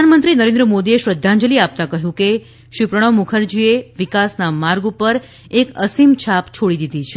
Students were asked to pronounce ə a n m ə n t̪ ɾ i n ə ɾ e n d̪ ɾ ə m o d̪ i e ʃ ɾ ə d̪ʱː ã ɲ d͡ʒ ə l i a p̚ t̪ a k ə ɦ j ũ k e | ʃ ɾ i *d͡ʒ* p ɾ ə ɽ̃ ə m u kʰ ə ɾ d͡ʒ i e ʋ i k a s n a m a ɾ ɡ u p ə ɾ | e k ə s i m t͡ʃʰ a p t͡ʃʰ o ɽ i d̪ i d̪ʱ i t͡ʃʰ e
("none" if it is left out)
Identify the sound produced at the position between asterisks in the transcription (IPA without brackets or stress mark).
none